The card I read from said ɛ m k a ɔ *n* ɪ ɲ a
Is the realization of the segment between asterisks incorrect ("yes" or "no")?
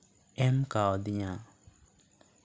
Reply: yes